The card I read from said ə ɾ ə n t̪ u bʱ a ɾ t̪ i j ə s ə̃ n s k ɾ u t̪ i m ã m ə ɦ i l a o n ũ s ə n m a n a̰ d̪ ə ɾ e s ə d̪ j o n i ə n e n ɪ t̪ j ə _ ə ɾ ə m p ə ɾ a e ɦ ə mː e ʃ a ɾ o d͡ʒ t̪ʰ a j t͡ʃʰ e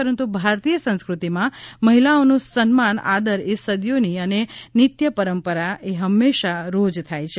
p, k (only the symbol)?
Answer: p